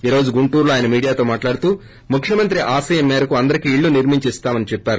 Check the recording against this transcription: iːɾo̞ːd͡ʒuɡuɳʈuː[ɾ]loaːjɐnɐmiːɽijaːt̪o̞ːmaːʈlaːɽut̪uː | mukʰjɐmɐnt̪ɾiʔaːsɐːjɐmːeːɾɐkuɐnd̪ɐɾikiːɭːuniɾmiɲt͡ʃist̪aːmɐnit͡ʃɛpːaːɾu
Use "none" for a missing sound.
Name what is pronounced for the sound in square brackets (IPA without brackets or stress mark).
ɾ